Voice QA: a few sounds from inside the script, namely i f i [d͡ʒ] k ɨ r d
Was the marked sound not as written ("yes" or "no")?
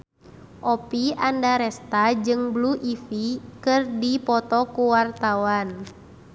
yes